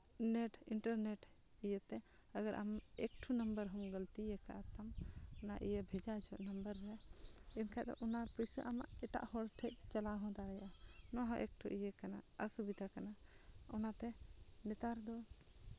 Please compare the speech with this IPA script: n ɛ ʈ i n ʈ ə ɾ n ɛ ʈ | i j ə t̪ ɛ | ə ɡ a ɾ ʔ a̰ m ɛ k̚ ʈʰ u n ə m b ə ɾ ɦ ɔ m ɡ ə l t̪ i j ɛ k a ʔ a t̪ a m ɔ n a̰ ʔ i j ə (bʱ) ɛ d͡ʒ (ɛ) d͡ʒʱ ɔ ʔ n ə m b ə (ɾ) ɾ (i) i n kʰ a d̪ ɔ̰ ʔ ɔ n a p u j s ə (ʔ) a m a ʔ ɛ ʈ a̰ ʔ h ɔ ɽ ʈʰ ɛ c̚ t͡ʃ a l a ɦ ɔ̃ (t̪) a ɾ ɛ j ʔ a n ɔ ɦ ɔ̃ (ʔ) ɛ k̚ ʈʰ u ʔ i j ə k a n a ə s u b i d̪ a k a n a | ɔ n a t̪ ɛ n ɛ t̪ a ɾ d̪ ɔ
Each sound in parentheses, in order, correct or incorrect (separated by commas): correct, incorrect, correct, incorrect, correct, incorrect, correct